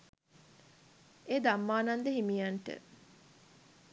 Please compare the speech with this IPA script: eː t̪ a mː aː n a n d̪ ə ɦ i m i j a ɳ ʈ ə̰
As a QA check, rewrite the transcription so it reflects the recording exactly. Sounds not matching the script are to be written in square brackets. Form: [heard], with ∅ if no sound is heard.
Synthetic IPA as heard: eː [d̪] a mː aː n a n d̪ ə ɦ i m i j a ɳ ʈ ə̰